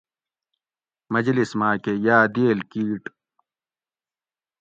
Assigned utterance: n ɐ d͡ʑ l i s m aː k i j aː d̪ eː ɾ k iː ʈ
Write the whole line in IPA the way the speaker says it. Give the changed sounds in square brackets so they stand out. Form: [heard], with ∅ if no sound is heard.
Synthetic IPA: [m] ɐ d͡ʑ l i s m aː k [e] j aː d̪ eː [l] k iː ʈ